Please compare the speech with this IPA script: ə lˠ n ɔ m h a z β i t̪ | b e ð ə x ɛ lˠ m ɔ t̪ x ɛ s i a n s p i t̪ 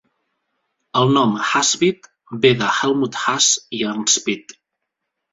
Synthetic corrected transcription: ə lˠ n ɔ m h a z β i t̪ | b e ð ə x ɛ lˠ m u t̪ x a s i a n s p i t̪